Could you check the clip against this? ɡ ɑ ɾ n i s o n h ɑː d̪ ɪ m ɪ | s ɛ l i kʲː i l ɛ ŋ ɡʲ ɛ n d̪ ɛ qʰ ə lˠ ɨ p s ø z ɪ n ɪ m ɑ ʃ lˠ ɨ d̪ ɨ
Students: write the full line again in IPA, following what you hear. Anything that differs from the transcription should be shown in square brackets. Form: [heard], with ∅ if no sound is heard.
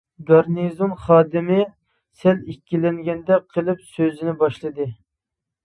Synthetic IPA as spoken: ɡ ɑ ɾ n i [z] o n [χ] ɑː d̪ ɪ m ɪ | s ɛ l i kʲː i l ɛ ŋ ɡʲ ɛ n d̪ ɛ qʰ ə lˠ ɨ p s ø z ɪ n ɪ [b] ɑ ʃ lˠ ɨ d̪ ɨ